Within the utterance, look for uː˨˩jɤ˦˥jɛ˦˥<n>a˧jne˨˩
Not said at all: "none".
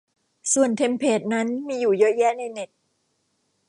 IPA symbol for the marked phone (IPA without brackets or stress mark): n